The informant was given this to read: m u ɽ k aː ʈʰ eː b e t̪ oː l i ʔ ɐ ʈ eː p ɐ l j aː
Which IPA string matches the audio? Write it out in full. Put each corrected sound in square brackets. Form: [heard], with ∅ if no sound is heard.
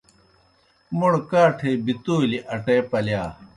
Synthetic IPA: m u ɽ k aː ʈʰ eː b [i] t̪ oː l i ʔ ɐ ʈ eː p ɐ l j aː